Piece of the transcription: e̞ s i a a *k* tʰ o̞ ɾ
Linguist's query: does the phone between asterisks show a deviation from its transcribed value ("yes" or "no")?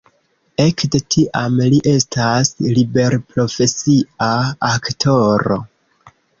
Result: no